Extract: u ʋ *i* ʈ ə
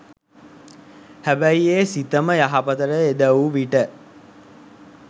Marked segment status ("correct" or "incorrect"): correct